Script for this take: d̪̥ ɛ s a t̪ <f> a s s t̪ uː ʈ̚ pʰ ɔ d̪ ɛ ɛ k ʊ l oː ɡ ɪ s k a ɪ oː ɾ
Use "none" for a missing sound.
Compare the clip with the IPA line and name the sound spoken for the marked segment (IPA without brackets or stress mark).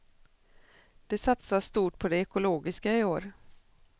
s